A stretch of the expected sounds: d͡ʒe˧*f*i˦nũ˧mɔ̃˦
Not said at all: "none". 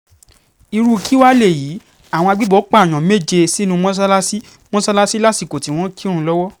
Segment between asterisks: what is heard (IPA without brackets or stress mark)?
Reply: s